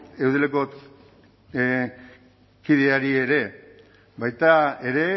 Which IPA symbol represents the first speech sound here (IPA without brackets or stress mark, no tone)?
e̞